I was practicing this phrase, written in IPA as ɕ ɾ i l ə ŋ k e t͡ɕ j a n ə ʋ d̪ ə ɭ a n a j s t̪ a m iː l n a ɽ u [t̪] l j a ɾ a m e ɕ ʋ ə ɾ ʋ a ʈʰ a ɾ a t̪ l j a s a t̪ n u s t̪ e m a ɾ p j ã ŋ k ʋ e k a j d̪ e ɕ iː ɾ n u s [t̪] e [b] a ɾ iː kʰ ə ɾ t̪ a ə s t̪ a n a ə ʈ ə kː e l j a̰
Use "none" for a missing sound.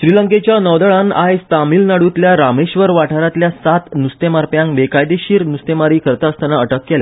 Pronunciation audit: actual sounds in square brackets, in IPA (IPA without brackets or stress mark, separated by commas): t̪, t̪, m